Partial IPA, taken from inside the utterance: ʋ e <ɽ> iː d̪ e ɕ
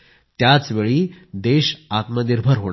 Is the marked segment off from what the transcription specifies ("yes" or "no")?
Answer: yes